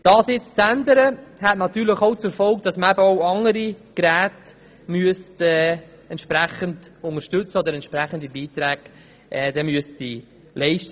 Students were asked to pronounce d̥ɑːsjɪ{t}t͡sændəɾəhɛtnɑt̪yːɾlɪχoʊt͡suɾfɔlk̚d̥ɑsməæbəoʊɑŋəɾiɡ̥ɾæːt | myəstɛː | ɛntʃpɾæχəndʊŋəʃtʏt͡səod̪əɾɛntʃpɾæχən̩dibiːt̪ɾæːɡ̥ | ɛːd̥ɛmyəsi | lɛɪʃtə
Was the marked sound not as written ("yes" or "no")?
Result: yes